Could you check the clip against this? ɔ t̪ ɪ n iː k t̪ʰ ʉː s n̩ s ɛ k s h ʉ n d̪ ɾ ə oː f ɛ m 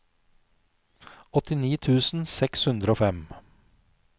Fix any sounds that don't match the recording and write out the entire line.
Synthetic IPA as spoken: ɔ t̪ ɪ n iː t̪ʰ ʉː s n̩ s ɛ k s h ʉ n d̪ ɾ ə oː f ɛ m